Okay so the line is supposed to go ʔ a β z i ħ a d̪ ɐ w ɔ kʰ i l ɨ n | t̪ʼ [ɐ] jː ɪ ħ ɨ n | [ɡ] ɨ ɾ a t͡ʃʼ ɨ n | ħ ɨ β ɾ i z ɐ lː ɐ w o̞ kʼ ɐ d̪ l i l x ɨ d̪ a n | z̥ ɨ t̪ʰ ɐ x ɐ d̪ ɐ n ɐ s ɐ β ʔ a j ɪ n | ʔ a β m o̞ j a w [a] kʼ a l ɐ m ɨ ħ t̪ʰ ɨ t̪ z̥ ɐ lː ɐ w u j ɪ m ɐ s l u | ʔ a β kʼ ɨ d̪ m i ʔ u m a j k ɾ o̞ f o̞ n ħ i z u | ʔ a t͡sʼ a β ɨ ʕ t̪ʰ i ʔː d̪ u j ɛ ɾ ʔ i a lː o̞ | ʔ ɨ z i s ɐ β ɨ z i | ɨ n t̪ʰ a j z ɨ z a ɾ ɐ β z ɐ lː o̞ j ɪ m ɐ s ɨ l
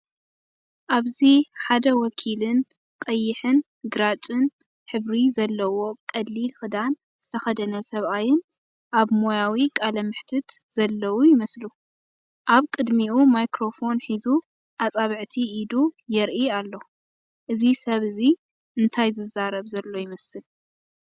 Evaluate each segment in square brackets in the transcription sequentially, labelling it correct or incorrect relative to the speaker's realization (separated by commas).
correct, correct, incorrect